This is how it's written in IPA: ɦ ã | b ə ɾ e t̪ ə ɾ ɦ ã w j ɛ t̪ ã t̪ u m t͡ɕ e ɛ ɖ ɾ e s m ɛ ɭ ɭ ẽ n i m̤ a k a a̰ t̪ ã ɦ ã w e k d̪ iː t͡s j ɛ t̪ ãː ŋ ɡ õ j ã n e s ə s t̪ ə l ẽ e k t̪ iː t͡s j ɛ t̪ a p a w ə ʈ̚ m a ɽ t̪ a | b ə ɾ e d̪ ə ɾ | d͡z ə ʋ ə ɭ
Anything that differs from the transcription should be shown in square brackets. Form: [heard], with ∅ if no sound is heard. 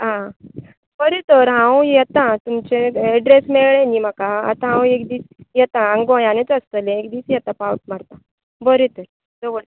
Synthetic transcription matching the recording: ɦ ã | b ə ɾ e t̪ ə ɾ ɦ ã w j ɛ t̪ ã t̪ u m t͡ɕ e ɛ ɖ ɾ e s m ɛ ɭ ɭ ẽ n i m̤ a k a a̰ t̪ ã ɦ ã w e k d̪ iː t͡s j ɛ t̪ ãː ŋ ɡ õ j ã n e [t͡s] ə s t̪ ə l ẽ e k [d̪] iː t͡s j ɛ t̪ a p a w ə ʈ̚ m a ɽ t̪ a | b ə ɾ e [t̪] ə ɾ | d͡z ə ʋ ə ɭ